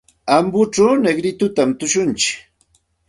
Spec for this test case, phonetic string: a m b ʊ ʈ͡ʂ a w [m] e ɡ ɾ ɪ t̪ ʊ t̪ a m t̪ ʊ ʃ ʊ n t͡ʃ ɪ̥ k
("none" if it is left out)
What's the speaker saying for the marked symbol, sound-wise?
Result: n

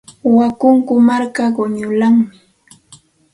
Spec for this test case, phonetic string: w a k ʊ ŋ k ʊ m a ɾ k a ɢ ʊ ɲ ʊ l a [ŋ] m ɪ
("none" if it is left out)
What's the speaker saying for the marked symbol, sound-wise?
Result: ŋ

